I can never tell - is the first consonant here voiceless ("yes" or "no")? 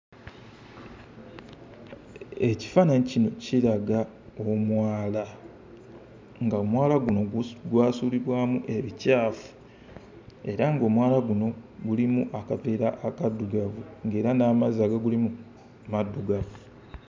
yes